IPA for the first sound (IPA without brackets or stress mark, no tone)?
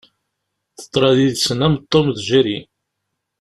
θ